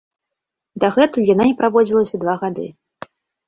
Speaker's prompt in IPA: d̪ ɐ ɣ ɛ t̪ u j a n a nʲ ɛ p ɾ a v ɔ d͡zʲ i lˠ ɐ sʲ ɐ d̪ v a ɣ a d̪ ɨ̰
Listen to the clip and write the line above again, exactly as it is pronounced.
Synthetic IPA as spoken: d̪ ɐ ɣ ɛ t̪ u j a n a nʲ ɛ p ɾ a v ɔ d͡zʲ i lˠ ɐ sʲ ɐ d̪ v a ɣ a d̪ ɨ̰